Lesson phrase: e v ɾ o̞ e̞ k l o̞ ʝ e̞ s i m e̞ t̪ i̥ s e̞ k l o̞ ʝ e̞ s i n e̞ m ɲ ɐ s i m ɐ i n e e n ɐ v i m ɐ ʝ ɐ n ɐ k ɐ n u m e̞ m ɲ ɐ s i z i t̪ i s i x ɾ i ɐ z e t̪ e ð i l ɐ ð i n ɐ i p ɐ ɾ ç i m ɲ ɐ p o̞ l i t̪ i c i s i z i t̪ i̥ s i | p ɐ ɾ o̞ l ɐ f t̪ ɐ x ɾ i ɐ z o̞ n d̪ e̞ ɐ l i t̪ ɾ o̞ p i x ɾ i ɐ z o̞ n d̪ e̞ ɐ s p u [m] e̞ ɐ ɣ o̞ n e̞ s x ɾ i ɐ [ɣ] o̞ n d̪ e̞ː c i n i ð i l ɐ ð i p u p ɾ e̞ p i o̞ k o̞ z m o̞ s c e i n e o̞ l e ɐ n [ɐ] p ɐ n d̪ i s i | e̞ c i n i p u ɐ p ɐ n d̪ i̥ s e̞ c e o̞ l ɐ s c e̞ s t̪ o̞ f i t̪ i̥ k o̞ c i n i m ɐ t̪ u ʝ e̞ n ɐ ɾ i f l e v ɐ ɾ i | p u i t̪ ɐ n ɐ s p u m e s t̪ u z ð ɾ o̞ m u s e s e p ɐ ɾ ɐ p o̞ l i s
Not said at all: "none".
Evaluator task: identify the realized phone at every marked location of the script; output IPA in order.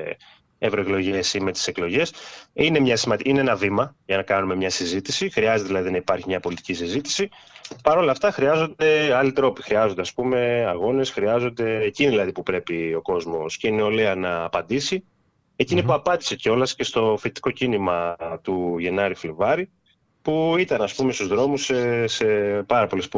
m, z, ɐː

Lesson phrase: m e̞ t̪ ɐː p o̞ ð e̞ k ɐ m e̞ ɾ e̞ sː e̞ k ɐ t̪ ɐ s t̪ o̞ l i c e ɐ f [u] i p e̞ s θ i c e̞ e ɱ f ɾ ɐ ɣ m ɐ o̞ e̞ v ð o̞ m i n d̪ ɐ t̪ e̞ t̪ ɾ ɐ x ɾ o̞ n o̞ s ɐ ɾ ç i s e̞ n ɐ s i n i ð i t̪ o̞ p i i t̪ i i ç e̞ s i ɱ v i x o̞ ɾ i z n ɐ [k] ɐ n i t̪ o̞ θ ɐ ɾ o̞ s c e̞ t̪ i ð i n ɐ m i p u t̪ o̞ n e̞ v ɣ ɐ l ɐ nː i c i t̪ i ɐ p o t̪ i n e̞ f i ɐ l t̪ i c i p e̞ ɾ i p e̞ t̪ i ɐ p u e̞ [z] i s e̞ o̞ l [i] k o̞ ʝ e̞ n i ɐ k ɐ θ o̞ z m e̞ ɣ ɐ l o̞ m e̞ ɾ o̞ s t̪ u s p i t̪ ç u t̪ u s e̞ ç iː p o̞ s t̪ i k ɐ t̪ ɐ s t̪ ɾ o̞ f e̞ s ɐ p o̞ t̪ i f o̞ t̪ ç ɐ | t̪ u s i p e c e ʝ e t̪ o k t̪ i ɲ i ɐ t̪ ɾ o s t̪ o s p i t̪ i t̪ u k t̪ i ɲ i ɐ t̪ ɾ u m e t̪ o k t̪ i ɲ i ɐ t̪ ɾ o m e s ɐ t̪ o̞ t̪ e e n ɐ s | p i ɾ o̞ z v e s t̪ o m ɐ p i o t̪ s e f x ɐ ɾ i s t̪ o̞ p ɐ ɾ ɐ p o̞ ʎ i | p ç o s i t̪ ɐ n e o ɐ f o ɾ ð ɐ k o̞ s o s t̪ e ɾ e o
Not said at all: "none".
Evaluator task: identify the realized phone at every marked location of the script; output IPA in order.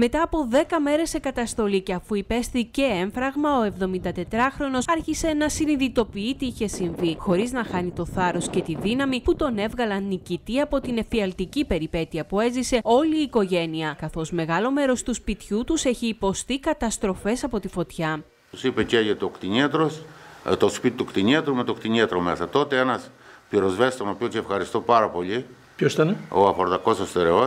u, x, z, iː

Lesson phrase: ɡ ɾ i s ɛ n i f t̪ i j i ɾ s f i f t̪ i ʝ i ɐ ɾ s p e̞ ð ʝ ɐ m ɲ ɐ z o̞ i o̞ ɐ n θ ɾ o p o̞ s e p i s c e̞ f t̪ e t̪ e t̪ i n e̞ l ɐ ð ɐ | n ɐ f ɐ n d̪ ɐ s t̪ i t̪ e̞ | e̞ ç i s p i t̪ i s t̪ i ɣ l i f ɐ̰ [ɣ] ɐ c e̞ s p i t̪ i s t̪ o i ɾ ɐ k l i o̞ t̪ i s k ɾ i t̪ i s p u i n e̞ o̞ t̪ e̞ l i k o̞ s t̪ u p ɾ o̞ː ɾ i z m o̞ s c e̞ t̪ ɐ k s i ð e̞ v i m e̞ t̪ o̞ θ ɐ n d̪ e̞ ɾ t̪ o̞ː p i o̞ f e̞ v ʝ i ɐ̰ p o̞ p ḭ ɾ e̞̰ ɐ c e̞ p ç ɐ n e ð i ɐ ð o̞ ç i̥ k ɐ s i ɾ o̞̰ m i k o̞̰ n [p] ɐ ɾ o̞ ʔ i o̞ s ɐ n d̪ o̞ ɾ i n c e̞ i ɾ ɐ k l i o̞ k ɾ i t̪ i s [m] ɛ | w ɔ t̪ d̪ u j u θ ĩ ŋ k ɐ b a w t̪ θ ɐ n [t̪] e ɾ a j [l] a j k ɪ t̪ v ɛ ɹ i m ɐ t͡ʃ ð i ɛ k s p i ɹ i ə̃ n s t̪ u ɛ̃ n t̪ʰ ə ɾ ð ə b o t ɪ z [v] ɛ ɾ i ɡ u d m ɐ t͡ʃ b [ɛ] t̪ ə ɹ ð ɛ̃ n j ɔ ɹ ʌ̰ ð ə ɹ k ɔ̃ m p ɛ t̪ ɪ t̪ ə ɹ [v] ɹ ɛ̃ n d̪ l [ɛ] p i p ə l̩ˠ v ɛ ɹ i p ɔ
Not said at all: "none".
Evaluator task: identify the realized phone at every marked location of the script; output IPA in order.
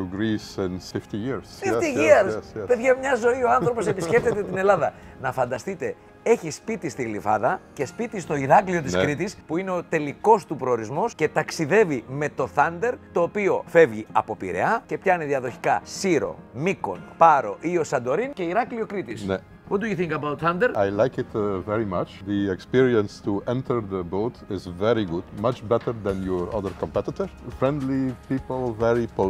ð, p, n, d̪, l, v, ɛ, f, i

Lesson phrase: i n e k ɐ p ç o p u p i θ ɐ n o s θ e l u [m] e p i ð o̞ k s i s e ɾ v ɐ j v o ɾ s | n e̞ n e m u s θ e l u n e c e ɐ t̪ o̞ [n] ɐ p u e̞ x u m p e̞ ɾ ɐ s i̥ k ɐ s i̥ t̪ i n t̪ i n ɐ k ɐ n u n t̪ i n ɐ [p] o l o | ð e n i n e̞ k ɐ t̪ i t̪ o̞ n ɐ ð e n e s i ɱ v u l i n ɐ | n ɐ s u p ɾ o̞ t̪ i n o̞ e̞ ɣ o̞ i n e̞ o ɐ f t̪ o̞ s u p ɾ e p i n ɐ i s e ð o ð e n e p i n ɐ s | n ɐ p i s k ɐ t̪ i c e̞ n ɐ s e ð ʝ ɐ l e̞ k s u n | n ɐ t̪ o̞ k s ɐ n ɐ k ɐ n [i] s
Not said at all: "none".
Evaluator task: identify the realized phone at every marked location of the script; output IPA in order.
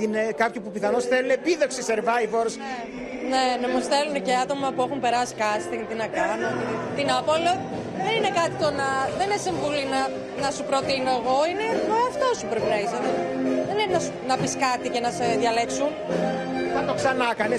n, m, p, e

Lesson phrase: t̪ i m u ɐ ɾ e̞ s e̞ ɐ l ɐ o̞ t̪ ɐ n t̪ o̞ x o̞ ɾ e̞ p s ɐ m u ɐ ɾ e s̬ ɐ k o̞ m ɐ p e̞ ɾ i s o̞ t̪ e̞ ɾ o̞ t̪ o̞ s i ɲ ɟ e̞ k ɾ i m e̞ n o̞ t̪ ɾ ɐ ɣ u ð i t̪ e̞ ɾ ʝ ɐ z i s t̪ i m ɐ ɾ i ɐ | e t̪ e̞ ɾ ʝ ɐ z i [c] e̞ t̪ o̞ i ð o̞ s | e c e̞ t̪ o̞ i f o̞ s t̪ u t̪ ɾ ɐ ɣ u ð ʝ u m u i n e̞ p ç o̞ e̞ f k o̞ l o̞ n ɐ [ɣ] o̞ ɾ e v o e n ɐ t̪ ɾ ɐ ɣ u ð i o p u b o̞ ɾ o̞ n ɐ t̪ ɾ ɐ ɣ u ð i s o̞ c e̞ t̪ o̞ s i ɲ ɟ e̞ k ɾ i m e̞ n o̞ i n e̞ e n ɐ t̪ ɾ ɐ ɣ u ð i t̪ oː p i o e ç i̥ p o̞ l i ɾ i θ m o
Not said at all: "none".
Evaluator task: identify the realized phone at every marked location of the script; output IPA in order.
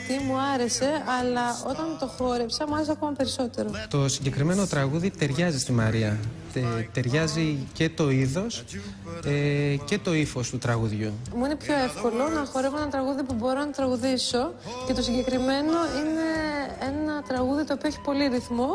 c, x

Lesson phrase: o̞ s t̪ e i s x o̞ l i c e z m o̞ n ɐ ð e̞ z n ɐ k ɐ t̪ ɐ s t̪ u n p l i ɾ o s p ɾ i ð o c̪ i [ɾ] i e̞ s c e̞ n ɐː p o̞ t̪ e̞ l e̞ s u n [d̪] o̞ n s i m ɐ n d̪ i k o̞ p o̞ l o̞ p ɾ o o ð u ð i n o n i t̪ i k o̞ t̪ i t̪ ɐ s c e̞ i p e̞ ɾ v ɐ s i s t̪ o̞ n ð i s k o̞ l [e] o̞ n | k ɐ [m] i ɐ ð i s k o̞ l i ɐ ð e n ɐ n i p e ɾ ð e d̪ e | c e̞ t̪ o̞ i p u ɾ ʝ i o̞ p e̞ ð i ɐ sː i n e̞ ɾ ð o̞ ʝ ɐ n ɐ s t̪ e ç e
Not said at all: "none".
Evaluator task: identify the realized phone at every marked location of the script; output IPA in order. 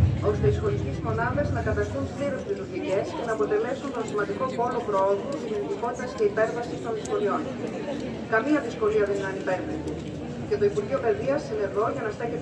ɾ, t̪, i, m

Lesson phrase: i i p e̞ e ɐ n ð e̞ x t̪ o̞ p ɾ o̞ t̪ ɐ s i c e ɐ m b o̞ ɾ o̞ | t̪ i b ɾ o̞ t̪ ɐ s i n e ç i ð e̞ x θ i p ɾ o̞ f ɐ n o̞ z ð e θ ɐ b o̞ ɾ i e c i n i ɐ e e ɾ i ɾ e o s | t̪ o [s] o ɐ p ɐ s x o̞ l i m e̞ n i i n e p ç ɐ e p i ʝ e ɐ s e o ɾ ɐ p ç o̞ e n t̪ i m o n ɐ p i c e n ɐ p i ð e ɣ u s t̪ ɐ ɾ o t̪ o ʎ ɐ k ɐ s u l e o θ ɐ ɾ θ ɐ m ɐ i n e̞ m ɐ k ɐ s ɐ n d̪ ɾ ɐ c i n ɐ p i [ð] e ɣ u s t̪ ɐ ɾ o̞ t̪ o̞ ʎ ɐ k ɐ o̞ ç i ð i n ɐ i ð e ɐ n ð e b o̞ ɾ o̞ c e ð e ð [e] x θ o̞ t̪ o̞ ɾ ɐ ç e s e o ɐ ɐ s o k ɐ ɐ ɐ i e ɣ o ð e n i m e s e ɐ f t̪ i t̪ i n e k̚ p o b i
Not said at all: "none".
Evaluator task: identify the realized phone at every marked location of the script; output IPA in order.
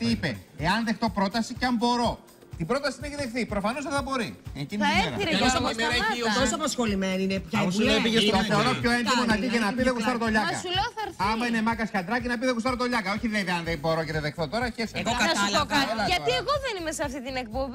s, ð, e

